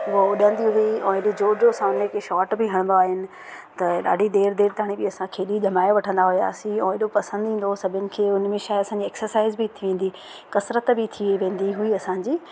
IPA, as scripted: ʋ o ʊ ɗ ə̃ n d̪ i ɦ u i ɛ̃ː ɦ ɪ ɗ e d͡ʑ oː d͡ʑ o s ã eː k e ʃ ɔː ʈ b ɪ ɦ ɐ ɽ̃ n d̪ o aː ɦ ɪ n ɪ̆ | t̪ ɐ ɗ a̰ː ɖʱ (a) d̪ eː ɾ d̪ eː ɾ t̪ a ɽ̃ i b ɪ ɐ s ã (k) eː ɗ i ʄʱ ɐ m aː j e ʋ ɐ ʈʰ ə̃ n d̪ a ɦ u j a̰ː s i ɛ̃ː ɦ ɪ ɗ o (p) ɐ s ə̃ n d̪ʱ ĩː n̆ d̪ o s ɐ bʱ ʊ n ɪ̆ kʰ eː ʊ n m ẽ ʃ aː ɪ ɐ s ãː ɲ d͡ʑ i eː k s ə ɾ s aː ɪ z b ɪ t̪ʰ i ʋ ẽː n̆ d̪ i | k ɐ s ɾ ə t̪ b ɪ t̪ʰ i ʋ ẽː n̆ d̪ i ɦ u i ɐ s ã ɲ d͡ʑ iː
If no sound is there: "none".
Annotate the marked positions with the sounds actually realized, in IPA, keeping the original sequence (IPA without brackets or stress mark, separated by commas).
i, kʰ, p